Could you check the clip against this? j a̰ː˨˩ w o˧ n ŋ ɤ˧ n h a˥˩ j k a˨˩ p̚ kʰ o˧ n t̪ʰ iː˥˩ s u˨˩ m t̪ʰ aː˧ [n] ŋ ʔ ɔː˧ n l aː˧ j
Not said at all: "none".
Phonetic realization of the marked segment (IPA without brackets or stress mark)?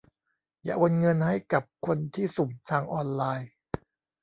none